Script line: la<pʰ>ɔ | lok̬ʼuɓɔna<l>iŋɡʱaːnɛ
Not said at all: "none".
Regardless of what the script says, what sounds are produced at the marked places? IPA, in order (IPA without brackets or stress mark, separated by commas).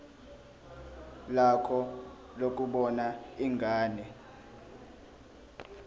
kʰ, none